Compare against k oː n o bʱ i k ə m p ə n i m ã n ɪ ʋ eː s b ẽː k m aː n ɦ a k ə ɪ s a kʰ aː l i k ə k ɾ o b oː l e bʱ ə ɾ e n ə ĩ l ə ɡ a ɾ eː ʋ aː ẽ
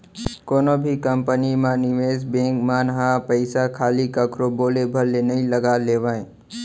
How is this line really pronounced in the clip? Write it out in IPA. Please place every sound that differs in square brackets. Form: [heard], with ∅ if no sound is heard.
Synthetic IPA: k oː n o bʱ i k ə m p ə n i m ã n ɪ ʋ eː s b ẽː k m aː n ɦ a [p] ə ɪ s a kʰ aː l i k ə k ɾ o b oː l e bʱ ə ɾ e n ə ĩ l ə ɡ a [l] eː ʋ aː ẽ